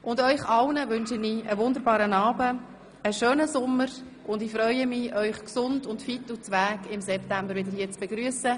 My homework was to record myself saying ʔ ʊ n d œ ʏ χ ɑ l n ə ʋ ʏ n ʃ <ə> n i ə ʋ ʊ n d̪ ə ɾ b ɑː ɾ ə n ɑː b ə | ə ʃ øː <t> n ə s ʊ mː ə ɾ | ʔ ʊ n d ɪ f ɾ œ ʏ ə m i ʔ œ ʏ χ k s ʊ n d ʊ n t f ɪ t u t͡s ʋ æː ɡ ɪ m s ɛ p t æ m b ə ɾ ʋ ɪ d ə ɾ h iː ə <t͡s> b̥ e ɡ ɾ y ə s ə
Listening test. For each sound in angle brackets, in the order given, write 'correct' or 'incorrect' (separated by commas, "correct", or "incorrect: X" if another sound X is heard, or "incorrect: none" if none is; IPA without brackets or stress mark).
correct, incorrect: none, correct